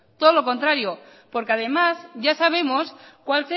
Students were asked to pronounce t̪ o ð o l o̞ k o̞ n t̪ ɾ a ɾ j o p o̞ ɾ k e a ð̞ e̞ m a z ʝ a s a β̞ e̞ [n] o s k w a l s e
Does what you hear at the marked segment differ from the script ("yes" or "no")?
yes